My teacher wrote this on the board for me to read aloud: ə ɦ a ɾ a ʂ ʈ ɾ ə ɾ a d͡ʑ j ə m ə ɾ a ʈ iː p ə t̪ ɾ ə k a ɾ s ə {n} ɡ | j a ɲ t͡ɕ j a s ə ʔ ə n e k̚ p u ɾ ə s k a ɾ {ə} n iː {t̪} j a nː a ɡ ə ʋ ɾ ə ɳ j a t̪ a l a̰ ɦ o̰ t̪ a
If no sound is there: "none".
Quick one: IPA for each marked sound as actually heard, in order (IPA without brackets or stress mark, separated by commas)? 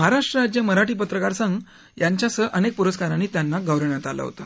ŋ, a, t̪